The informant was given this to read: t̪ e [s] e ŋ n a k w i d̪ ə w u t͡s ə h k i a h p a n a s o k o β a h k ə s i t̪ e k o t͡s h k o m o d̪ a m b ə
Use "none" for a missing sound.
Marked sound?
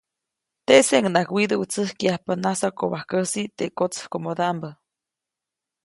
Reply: s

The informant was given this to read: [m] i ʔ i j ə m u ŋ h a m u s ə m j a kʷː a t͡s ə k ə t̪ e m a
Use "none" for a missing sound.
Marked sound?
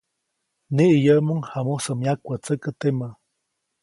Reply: n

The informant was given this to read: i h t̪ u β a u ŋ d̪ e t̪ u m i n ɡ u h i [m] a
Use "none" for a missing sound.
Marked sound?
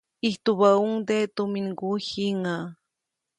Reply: ŋ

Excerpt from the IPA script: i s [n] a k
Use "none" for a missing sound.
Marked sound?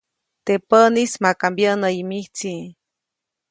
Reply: m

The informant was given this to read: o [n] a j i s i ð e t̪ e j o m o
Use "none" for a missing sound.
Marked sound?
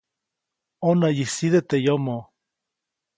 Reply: n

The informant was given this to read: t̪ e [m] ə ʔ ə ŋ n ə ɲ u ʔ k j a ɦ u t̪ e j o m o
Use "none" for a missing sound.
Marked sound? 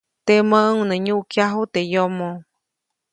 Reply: m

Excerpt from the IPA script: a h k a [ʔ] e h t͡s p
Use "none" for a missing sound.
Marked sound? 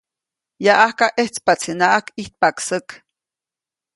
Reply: ʔ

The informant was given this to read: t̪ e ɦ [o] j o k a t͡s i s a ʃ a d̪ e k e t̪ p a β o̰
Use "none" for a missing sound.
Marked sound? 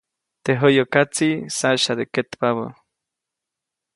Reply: o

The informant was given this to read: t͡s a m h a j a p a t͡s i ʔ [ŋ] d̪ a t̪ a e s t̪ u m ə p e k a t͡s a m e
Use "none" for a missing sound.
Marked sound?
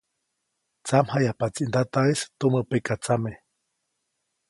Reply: n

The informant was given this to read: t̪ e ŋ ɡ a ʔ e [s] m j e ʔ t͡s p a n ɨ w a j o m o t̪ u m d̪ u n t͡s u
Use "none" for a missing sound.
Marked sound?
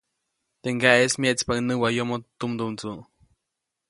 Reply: s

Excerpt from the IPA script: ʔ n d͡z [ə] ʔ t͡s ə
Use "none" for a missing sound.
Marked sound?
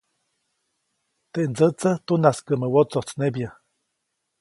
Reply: ə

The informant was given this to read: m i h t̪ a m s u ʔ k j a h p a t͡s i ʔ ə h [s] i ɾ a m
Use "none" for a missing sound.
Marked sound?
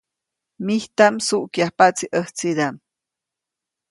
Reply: t͡s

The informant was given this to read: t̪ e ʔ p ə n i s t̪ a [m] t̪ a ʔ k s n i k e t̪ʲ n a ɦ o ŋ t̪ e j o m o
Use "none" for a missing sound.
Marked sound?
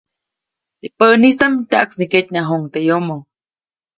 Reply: m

